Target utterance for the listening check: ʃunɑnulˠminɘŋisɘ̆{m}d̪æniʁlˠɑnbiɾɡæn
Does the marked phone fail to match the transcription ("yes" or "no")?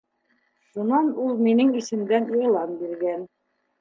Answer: no